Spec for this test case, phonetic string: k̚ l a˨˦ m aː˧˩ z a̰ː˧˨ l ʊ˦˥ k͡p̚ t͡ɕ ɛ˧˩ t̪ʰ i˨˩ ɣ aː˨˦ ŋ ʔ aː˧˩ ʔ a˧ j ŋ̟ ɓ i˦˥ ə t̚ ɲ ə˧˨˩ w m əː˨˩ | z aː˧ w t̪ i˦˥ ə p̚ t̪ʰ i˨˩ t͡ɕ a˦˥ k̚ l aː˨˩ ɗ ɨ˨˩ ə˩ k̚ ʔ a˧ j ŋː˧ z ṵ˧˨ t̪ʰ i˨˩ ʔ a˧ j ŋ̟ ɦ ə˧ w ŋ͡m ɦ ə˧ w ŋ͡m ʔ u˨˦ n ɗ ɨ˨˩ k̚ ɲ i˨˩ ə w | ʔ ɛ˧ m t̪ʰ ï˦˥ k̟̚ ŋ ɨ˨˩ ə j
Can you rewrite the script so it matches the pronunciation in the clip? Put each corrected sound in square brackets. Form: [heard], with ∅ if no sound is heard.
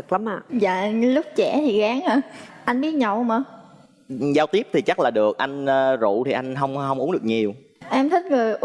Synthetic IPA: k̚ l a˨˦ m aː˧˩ z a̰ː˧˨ l ʊ˦˥ k͡p̚ t͡ɕ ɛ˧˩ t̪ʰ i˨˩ ɣ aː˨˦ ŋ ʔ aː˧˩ ʔ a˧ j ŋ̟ ɓ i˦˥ ə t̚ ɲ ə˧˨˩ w m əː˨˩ | z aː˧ w t̪ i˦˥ ə p̚ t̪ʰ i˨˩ t͡ɕ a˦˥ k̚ l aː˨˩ ɗ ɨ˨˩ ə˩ k̚ ʔ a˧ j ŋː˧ z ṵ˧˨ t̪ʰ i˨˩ ʔ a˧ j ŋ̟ ɦ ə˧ w ŋ͡m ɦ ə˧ w ŋ͡m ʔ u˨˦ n ɗ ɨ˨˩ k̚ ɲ i˨˩ ə w | ʔ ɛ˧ m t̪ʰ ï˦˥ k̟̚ ŋ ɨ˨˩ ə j